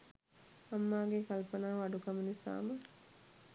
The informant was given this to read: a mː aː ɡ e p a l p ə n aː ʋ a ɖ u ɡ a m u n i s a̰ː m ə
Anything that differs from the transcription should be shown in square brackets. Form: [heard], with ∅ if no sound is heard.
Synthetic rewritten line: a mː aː ɡ e [k] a l p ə n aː ʋ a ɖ u [k] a m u n i s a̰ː m ə